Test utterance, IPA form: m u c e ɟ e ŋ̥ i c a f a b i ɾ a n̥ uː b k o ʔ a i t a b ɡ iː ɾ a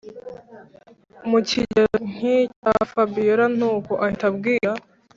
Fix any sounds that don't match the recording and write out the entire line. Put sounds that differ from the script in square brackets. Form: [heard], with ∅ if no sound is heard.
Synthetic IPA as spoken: m u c [i] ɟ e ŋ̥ i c a f a b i ɾ a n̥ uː [∅] k o ʔ a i t a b ɡ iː ɾ a